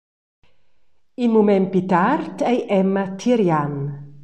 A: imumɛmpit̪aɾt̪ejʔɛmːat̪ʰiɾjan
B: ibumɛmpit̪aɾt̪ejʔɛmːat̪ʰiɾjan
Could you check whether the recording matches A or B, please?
A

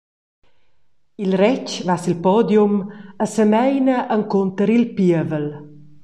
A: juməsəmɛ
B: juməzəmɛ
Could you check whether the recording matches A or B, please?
A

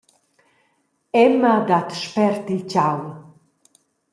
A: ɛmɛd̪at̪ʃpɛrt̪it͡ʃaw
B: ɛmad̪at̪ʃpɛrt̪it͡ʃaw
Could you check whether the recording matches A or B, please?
B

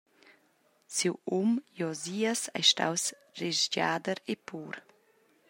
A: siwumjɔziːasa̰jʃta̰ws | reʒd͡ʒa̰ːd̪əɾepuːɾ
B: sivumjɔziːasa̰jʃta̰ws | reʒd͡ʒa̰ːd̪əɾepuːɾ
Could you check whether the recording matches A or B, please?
A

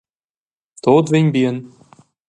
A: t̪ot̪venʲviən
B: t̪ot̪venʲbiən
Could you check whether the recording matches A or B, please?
B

